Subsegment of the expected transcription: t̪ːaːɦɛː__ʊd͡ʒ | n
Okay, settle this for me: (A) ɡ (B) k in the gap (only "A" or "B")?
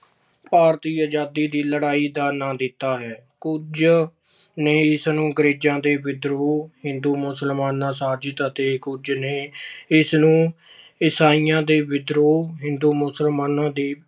B